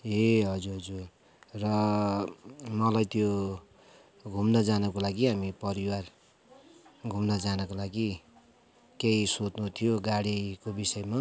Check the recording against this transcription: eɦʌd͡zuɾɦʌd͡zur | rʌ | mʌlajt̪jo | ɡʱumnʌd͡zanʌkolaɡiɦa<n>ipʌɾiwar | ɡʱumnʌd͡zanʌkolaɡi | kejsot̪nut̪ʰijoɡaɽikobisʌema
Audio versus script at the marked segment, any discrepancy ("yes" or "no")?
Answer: yes